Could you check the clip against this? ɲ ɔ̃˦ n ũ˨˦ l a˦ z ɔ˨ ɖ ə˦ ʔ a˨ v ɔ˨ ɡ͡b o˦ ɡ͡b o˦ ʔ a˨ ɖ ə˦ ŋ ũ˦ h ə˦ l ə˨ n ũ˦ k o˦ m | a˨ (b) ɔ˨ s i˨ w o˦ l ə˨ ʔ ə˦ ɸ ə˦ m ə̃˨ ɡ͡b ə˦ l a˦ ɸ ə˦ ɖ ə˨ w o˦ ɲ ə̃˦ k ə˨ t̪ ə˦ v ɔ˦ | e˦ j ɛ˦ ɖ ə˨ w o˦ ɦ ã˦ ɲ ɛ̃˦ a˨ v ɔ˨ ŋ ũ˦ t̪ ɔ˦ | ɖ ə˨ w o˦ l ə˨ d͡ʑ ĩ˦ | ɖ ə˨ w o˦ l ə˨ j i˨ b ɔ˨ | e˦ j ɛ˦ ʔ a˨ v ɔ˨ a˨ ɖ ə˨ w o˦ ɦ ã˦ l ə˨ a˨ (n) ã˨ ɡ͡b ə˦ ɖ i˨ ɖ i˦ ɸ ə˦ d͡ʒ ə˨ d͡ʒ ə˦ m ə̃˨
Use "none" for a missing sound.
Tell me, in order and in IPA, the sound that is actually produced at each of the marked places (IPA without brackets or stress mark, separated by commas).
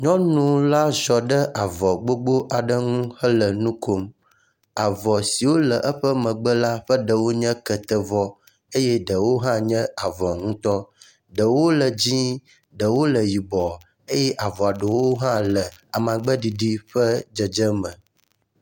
v, m